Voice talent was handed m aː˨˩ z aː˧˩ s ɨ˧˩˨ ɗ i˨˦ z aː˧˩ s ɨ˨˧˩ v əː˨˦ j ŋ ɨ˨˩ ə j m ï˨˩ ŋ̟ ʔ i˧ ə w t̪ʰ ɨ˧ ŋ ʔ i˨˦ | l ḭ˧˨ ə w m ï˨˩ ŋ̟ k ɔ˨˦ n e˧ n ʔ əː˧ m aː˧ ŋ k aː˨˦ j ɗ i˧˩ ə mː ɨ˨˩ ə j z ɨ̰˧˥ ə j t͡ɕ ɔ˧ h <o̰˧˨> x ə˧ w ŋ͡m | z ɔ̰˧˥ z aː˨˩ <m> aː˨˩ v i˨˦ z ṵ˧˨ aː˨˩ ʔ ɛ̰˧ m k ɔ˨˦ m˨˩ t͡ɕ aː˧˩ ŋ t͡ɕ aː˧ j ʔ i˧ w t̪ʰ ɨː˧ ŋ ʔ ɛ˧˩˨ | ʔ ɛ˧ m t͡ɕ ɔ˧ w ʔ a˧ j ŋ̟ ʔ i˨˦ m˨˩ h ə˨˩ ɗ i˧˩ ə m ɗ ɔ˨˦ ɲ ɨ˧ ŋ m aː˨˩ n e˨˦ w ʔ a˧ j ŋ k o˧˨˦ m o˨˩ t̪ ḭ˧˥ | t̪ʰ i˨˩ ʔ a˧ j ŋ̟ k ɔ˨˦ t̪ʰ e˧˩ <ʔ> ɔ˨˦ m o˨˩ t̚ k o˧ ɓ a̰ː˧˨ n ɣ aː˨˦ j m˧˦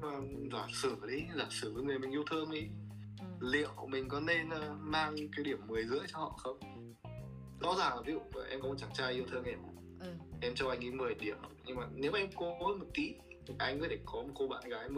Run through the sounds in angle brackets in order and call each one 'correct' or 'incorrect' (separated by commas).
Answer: incorrect, incorrect, incorrect